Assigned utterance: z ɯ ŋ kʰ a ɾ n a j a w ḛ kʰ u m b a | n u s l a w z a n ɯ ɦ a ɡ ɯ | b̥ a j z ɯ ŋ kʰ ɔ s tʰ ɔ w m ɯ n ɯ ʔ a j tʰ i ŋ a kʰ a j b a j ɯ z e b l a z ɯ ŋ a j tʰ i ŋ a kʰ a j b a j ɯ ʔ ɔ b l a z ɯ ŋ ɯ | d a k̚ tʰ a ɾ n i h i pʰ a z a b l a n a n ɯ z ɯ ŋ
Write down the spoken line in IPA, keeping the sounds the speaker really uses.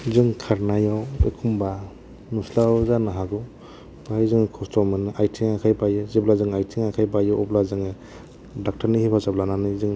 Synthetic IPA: z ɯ ŋ kʰ a ɾ n a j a w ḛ kʰ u m b a | n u s l a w z a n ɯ ɦ a ɡ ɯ | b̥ a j z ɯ ŋ kʰ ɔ s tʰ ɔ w m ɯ n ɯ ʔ a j tʰ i ŋ a kʰ a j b a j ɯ z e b l a z ɯ ŋ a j tʰ i ŋ a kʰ a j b a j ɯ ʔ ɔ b l a z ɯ ŋ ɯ | d a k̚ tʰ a ɾ n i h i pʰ a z a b l a n a n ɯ z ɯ ŋ